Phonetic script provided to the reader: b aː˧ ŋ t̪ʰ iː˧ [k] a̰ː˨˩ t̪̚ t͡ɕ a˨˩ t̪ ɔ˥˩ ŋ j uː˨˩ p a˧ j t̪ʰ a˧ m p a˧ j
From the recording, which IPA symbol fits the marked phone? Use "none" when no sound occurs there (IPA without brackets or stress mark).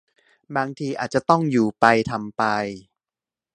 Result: ʔ